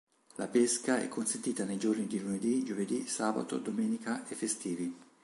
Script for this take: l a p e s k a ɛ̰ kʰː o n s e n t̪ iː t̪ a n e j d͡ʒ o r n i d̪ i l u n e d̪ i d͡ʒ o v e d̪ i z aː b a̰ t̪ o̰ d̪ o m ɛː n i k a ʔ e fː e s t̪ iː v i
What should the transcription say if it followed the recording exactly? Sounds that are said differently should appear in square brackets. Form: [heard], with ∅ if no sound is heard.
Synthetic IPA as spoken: l a p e s k a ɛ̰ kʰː o n s e n t̪ iː t̪ a n e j d͡ʒ o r n i d̪ i l u n e d̪ i d͡ʒ o v e d̪ i [s] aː b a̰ t̪ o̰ d̪ o m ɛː n i k a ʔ e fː e s t̪ iː v i